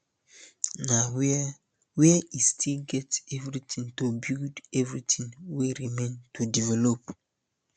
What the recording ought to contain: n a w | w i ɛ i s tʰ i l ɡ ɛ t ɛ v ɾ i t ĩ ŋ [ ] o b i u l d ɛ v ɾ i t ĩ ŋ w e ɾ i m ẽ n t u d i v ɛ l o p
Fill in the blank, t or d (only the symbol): t